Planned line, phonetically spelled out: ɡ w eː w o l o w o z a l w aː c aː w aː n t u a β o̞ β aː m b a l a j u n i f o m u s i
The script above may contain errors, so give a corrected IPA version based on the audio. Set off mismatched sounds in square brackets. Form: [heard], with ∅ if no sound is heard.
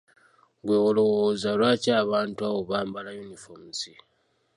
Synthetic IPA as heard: ɡ w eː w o l o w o z a l w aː c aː [β] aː n t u a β o̞ β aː m b a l a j u n i f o m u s i